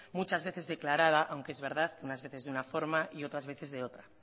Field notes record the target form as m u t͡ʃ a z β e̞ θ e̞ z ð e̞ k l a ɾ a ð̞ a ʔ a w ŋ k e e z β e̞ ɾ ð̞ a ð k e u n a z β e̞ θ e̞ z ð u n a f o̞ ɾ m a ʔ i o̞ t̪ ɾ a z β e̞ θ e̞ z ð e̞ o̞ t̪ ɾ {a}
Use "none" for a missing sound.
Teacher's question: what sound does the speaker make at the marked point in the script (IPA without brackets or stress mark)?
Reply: a